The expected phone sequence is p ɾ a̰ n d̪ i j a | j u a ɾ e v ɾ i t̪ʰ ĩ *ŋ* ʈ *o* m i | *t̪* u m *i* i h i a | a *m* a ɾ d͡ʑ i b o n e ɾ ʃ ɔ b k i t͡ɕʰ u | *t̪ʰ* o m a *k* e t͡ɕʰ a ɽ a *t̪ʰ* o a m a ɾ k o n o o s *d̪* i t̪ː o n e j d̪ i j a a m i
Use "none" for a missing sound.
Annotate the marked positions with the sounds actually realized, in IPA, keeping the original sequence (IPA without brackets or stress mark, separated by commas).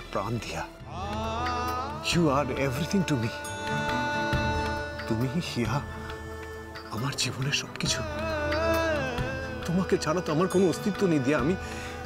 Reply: ŋ, u, t̪, i, m, t̪, k, t̪, t̪